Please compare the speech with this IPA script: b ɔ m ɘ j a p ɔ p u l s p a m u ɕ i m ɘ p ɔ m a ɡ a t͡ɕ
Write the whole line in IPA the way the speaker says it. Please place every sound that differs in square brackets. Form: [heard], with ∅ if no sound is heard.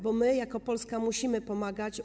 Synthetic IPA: b ɔ m ɘ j a [k] ɔ p [ɔ] l s [k] a m u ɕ i m ɘ p ɔ m a ɡ a t͡ɕ